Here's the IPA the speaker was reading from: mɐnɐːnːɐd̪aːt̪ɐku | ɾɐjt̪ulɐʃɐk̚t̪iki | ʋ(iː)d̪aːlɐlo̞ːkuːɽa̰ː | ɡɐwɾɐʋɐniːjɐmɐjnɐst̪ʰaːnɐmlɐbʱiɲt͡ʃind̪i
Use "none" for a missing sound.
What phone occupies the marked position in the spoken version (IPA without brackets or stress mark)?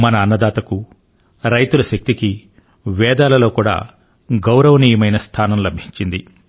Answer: ɛː